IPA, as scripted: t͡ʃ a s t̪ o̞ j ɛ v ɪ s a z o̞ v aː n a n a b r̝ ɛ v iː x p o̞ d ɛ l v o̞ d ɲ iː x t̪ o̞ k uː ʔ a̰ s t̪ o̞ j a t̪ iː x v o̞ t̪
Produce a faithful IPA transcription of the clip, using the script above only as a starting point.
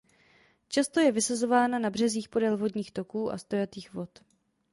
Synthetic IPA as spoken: t͡ʃ a s t̪ o̞ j ɛ v ɪ s a z o̞ v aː n a n a b r̝ ɛ z iː x p o̞ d ɛ l v o̞ d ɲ iː x t̪ o̞ k uː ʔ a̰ s t̪ o̞ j a t̪ iː x v o̞ t̪